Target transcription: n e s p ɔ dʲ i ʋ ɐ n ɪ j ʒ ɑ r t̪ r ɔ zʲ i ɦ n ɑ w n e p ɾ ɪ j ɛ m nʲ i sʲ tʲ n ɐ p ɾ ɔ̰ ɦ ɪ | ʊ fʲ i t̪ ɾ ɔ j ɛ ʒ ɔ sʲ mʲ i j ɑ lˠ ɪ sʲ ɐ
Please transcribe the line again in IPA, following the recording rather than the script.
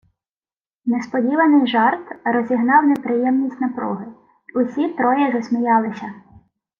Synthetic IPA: n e s p ɔ dʲ i ʋ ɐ n ɪ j ʒ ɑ r t̪ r ɔ zʲ i ɦ n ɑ w n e p ɾ ɪ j ɛ m nʲ i sʲ tʲ n ɐ p ɾ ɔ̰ ɦ ɪ | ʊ sʲ i t̪ ɾ ɔ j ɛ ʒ ɔ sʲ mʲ i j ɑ lˠ ɪ sʲ ɐ